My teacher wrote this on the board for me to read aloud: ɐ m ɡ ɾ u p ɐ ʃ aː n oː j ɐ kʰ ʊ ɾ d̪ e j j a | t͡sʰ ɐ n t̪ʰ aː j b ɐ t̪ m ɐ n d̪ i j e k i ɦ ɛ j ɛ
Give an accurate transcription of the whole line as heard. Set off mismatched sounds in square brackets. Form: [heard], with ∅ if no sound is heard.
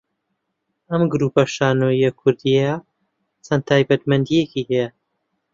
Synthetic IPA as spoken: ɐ m ɡ ɾ u p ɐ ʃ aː n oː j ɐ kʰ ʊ ɾ d̪ [i] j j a | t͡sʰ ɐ n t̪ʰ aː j b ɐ t̪ m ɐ n d̪ i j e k i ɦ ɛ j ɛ